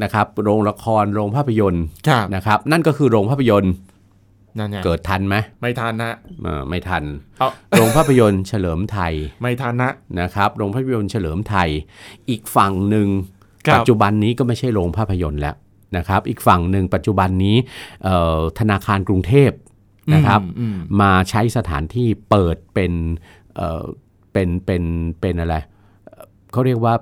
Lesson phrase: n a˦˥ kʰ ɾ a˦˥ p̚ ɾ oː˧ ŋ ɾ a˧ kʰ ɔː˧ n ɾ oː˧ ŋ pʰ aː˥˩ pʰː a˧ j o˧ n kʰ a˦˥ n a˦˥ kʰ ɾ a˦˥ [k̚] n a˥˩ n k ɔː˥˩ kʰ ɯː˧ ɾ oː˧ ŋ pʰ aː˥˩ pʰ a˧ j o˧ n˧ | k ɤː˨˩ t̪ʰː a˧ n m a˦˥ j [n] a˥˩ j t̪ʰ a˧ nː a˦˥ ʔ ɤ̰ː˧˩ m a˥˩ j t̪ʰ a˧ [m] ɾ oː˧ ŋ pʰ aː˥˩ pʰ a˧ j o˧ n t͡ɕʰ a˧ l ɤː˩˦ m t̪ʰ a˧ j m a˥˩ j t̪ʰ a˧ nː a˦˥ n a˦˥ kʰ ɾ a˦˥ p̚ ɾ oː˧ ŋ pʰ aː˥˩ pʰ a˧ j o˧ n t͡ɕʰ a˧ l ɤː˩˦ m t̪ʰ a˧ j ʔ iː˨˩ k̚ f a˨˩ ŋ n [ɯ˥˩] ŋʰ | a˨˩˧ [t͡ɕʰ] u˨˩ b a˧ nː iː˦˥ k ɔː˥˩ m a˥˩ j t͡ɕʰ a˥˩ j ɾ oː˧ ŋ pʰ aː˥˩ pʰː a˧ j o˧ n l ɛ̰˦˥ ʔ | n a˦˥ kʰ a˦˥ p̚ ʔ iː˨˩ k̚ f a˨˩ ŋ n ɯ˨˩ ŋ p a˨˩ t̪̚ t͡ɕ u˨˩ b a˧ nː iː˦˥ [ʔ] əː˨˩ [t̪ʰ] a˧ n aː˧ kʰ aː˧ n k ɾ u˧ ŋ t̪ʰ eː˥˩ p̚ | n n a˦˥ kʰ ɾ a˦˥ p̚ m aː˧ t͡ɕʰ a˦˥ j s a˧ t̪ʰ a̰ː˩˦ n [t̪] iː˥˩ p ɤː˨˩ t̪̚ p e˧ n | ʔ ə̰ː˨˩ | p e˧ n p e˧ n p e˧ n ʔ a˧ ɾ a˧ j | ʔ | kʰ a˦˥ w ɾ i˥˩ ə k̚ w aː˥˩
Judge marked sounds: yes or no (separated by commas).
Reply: no, no, no, no, no, yes, yes, no